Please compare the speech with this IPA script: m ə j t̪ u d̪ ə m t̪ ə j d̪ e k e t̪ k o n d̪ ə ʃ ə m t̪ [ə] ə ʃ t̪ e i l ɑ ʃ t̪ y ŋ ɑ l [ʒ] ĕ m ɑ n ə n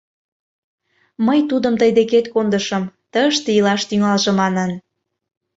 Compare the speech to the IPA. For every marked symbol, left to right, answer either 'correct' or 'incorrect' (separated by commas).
correct, correct